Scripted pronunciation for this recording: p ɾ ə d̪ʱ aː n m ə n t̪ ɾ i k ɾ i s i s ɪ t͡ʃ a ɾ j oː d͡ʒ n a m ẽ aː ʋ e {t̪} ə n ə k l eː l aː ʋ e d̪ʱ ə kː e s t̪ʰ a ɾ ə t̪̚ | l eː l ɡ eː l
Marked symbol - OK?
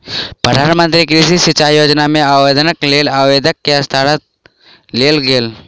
no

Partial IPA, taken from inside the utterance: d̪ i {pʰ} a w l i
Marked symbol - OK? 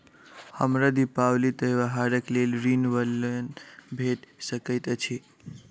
no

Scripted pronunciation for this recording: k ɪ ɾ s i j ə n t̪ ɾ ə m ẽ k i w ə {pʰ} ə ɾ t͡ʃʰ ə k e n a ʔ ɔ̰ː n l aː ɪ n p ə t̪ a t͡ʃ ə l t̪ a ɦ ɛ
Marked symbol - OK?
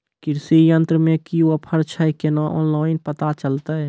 yes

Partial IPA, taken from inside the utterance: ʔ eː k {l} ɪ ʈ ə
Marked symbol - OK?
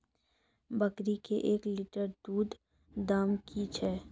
yes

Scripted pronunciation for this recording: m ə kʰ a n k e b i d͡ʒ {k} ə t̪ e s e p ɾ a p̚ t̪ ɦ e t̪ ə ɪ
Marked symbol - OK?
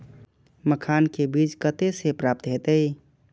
yes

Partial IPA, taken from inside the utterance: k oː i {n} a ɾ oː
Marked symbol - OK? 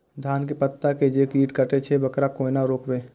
yes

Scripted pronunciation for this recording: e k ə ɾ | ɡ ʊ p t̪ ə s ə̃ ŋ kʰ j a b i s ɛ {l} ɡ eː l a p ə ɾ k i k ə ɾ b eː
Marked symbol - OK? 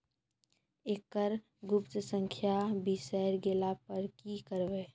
no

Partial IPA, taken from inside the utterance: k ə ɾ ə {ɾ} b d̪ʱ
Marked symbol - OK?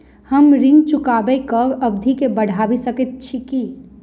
no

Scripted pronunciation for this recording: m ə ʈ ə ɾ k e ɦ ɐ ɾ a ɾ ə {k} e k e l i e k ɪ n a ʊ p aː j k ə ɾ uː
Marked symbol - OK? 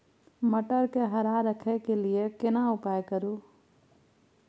no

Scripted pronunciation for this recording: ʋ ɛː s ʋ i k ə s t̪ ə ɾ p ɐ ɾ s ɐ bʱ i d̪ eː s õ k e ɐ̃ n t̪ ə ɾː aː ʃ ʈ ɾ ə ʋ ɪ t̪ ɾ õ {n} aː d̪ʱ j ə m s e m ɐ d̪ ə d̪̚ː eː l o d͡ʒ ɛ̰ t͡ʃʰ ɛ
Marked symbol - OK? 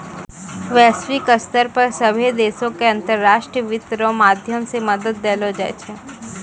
no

